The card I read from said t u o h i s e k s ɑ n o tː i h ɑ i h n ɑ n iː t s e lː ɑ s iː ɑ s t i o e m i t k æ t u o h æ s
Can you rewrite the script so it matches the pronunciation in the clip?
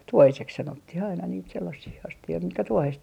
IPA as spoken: t u o h i s e k s ɑ n o tː i h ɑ i n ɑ n iː t s e lː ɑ s iː ɑ s t i o i m i t k æ t u o h e s